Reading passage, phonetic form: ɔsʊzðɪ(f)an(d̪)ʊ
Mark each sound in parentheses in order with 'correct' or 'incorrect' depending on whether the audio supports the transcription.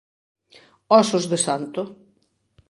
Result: incorrect: s, incorrect: t̪

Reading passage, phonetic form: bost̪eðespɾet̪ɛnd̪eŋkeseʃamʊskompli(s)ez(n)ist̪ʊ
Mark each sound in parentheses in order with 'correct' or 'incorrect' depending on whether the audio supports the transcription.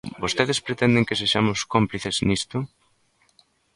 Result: incorrect: θ, correct

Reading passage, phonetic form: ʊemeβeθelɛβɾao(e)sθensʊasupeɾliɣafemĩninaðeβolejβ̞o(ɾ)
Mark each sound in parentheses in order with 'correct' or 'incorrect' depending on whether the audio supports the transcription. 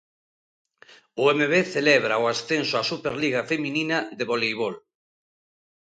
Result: incorrect: a, incorrect: l

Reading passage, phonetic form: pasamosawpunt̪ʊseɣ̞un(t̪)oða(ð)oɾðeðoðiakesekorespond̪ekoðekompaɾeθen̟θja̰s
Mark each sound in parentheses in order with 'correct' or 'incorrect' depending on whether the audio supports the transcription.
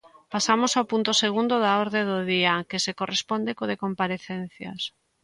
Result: incorrect: d̪, incorrect: none

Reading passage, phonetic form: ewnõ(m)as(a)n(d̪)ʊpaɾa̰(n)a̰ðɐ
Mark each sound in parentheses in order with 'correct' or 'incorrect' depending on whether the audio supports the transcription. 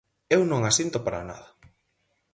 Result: incorrect: ŋ, incorrect: i, incorrect: t̪, correct

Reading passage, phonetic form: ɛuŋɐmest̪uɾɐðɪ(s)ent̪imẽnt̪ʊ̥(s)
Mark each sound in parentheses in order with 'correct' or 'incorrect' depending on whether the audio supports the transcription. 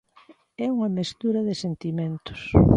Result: correct, correct

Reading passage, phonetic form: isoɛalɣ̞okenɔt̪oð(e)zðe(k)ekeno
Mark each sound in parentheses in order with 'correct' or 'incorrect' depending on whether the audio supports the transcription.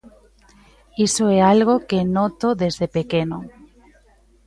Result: correct, incorrect: p

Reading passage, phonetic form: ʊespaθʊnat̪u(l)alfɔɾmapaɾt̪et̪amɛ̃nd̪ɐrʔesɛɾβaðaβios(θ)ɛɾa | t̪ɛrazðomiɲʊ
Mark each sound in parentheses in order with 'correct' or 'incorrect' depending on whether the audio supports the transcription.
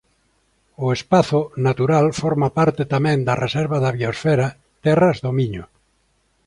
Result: incorrect: ɾ, incorrect: f

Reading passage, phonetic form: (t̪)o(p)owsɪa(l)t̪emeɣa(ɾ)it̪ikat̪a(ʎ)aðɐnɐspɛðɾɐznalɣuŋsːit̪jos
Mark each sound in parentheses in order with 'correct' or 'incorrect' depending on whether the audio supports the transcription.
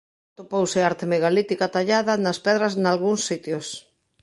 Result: correct, correct, incorrect: ɾ, incorrect: l, correct

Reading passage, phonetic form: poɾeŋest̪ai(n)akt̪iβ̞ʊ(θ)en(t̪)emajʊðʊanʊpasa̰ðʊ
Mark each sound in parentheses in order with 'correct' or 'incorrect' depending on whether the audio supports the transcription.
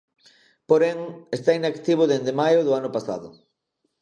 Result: correct, incorrect: ð, incorrect: d̪

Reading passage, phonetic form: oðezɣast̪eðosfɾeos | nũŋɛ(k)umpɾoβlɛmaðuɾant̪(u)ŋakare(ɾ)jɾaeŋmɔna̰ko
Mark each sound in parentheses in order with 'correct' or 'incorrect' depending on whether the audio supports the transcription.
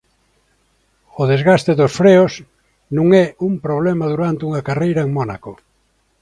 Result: incorrect: none, correct, incorrect: none

